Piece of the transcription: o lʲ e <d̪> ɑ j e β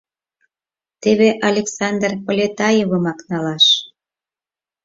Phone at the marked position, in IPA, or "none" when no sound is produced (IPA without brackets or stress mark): t̪